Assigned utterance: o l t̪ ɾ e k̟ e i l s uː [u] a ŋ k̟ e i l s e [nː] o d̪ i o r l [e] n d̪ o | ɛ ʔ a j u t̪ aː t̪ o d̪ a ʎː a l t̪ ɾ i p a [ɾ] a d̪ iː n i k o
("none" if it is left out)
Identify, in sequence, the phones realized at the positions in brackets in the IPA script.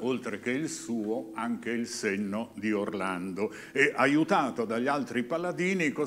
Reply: o, nː, a, l

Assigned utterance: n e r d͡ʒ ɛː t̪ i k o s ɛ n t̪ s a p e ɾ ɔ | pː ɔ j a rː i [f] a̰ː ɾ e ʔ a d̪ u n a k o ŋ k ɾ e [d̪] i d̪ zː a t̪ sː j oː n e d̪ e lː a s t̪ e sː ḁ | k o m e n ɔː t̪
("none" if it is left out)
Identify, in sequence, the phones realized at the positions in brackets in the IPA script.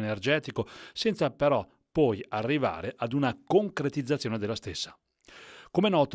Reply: v, t̪

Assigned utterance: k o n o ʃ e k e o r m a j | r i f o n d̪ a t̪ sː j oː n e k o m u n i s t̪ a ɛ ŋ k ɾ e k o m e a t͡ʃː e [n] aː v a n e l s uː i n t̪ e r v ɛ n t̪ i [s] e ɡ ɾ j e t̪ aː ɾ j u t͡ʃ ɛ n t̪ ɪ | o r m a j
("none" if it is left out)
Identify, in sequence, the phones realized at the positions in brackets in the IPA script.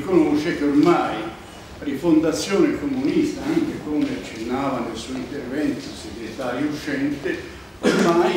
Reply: nː, s

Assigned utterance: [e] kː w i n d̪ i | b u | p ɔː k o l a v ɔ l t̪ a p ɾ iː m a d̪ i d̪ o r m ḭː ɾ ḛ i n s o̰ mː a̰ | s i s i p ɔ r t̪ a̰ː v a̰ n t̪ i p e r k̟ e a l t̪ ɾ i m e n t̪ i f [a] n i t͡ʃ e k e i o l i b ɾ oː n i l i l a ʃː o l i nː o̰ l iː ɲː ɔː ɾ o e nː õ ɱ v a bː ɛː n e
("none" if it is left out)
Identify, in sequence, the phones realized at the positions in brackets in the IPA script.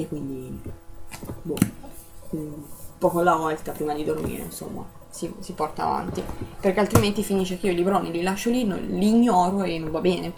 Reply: e, i

